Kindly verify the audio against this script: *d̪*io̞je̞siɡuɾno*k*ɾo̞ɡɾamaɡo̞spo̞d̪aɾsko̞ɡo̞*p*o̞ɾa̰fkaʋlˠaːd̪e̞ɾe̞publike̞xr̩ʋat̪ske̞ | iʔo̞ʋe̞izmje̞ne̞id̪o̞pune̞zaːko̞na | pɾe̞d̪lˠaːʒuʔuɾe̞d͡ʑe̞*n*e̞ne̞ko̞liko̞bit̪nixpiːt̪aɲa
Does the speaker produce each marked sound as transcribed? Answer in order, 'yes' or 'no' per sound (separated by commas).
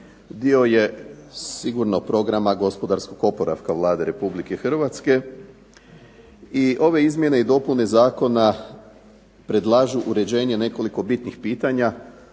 yes, no, yes, no